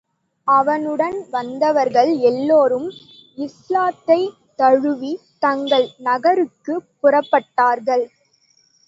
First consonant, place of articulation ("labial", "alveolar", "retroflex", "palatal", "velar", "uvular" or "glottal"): labial